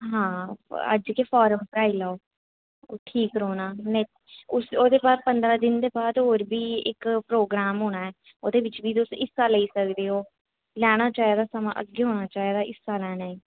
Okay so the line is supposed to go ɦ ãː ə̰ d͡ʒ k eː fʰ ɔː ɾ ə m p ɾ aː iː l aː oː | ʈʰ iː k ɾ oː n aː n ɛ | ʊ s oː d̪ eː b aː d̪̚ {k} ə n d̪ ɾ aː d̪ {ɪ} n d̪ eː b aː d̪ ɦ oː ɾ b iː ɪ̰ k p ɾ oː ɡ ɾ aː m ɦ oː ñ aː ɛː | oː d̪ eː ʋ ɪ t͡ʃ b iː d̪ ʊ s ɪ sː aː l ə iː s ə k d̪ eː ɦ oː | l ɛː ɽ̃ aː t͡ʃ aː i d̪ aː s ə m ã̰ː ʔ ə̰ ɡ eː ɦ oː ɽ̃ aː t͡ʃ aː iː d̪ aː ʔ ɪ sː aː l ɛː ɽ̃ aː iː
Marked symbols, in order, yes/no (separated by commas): no, yes